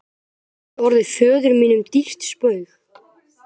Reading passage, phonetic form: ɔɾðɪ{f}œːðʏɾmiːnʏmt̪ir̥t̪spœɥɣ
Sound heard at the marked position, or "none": f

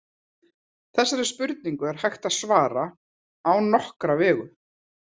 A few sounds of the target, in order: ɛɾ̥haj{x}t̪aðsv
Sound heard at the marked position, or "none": x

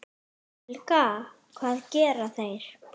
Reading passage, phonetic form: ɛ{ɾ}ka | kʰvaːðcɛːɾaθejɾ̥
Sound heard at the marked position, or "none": l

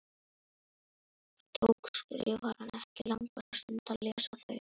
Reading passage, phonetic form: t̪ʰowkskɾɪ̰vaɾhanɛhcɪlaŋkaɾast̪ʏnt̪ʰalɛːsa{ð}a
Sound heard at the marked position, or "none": θ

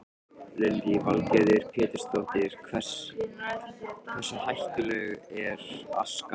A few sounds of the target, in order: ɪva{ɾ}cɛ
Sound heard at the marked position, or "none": l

